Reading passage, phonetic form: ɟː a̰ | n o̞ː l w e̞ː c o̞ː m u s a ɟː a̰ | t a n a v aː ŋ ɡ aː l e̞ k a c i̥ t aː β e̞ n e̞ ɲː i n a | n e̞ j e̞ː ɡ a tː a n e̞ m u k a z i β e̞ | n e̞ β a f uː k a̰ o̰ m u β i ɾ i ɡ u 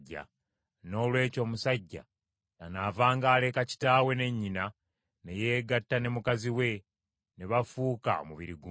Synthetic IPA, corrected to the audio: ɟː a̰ | n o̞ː l w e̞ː c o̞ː m u s a ɟː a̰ | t a n a v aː ŋ ɡ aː l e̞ k a c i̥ t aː w e̞ n e̞ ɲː i n a | n e̞ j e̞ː ɡ a tː a n e̞ m u k a z i w e̞ | n e̞ β a f uː k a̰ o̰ m u β i ɾ i ɡ u